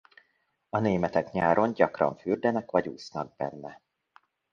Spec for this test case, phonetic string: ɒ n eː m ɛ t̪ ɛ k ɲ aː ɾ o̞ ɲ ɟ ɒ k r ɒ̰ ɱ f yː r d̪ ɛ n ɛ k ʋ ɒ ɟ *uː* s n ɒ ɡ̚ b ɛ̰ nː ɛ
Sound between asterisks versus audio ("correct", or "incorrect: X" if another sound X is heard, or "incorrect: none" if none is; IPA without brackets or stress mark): correct